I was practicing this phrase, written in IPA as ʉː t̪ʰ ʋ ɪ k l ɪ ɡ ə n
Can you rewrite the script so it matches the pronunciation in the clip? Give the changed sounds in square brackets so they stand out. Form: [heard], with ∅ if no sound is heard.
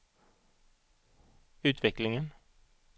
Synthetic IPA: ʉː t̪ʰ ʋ ɪ k l ɪ [ŋ] ə n